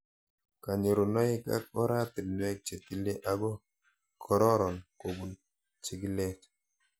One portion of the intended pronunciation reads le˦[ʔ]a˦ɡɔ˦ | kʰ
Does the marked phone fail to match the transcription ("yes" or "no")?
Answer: no